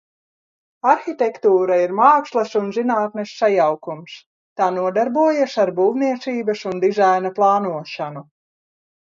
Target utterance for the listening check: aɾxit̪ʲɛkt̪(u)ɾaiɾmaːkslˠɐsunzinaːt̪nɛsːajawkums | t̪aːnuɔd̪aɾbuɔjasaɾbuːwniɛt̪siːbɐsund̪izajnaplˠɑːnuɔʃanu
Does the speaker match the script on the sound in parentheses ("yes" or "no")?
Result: no